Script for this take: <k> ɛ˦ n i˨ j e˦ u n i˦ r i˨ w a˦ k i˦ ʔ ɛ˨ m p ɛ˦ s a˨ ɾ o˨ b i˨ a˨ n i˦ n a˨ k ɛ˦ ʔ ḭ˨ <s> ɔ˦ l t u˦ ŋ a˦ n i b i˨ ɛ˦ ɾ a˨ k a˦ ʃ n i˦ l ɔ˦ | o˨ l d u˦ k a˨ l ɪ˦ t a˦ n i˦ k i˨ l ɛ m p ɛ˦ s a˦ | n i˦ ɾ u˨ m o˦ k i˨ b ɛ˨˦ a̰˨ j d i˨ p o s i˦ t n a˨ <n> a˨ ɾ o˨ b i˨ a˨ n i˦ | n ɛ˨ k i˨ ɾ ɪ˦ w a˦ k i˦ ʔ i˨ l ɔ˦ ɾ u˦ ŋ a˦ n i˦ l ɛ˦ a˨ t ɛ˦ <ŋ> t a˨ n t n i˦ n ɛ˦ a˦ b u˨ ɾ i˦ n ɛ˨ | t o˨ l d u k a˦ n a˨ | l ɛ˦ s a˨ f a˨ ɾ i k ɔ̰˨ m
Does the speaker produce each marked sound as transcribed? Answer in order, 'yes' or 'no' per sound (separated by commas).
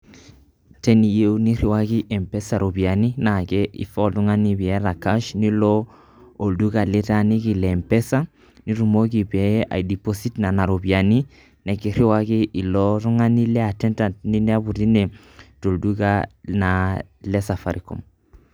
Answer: no, no, yes, no